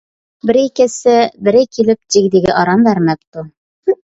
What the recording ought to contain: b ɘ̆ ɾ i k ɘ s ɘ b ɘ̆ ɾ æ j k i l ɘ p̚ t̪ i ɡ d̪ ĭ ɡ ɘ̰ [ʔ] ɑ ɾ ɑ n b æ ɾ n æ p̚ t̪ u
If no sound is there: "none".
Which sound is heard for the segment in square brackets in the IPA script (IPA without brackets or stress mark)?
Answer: ʔ